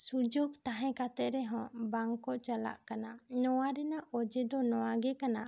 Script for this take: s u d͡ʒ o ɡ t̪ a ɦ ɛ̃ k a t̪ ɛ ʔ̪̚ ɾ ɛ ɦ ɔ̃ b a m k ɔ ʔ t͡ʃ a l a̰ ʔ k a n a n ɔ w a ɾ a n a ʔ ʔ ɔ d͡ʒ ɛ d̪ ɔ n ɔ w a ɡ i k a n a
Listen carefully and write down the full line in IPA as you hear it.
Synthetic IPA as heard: s u d͡ʒ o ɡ t̪ a ɦ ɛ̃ k a t̪ ɛ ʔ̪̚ ɾ ɛ ɦ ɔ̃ b a ŋ k ɔ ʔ t͡ʃ a l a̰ ʔ k a n a n ɔ w a ɾ ɛ n a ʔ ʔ ɔ d͡ʒ ɛ d̪ ɔ n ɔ w a ɡ ɛ k a n a